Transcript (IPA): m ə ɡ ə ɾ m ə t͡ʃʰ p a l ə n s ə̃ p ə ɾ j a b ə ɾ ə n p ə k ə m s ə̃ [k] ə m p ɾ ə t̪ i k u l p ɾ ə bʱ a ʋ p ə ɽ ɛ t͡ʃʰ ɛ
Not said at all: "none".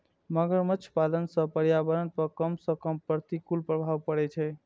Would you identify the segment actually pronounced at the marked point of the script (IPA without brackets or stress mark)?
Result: k